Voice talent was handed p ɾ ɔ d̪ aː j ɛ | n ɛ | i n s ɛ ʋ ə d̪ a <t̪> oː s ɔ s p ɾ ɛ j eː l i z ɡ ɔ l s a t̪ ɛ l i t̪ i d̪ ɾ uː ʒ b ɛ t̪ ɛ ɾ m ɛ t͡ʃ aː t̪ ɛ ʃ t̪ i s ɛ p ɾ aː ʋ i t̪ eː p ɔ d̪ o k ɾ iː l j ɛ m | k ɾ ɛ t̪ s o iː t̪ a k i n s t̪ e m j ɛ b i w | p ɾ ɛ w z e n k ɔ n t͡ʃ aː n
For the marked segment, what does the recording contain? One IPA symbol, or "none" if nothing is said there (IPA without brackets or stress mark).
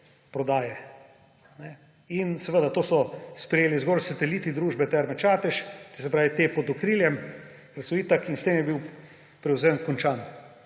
t̪